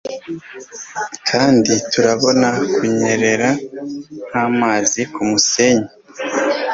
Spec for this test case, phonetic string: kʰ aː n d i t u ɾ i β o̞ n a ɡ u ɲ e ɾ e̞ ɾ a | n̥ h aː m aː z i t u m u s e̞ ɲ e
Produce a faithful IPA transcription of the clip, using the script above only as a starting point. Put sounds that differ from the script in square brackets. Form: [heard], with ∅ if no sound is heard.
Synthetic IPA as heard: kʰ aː n d i t u ɾ [a] β o̞ n a [k] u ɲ e ɾ e̞ ɾ a | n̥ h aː m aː z i [k] u m u s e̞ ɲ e